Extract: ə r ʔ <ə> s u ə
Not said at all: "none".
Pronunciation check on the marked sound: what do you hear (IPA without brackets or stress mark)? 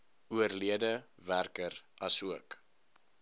ɐ